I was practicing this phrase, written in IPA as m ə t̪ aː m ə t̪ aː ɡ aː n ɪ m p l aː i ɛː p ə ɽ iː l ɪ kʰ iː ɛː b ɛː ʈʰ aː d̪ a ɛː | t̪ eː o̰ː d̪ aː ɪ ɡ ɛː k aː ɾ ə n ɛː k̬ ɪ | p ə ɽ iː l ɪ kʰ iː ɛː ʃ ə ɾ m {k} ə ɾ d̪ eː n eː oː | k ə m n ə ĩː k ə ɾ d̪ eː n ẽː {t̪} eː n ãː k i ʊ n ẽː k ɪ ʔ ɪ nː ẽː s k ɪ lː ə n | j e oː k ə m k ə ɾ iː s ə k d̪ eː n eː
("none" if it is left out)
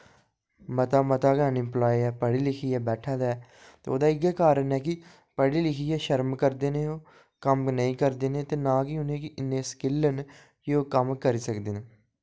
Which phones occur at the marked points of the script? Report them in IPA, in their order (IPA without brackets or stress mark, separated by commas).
k, t̪